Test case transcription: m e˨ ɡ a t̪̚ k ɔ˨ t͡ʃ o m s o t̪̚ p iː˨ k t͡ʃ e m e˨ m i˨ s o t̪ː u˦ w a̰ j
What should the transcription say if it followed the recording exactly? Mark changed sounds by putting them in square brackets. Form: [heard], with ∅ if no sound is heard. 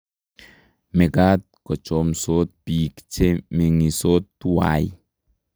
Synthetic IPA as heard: m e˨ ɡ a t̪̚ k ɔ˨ t͡ʃ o m s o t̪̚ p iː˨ k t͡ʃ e m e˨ [ŋ] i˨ s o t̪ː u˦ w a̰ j